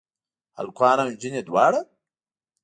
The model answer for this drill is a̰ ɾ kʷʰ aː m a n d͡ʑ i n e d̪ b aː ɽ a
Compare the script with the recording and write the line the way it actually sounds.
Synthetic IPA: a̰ l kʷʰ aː n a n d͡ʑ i n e d̪ w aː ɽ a